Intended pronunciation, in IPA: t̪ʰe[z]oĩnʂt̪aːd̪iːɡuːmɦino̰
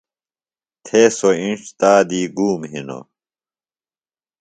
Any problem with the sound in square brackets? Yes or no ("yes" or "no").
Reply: yes